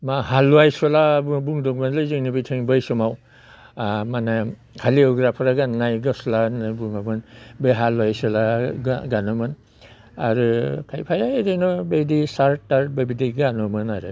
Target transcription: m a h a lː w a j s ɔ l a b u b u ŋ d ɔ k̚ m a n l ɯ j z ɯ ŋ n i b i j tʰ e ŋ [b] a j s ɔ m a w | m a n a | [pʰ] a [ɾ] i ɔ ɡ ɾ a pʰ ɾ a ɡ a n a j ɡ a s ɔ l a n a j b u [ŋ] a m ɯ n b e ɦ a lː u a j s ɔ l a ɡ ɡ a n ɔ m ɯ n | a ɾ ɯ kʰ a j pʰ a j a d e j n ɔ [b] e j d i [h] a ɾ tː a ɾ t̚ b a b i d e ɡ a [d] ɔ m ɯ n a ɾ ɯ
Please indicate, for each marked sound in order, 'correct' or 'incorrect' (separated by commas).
correct, incorrect, incorrect, correct, correct, incorrect, incorrect